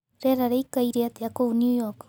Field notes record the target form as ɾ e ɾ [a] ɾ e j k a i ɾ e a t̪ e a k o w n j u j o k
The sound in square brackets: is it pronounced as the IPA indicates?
yes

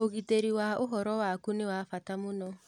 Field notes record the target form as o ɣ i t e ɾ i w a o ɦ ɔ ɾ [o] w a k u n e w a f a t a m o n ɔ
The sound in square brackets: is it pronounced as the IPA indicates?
no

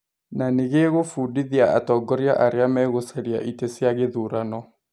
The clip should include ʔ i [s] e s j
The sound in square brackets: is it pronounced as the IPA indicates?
no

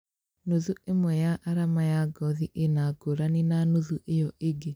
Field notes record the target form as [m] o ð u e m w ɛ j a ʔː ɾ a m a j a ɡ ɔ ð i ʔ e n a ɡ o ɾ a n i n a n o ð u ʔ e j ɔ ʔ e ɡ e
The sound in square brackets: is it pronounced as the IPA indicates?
no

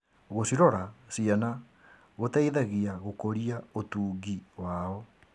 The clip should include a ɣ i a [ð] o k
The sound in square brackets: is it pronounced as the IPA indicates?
no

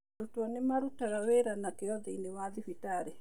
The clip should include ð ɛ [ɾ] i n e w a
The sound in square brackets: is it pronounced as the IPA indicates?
no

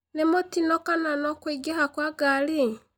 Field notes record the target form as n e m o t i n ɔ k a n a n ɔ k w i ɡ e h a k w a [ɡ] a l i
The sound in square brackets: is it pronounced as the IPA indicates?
yes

